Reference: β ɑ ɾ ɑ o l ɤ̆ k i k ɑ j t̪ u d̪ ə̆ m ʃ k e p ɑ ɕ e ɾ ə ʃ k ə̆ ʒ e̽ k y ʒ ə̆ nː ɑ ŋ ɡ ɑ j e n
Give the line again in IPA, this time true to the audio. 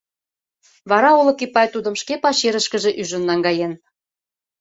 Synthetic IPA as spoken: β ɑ ɾ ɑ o l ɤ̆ k i p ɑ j t̪ u d̪ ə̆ m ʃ k e p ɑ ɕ e ɾ ə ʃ k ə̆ ʒ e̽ ʔ y ʒ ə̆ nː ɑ ŋ ɡ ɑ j e n